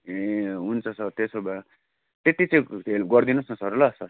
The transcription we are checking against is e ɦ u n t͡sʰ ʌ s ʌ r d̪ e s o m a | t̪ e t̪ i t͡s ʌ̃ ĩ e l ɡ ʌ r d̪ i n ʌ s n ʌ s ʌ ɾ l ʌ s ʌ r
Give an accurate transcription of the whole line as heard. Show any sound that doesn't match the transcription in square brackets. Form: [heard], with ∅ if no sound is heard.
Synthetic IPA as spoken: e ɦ u n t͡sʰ ʌ s ʌ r [t̪] e s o [b] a | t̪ e t̪ i t͡s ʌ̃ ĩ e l ɡ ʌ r d̪ i n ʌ s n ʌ s ʌ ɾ l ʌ s ʌ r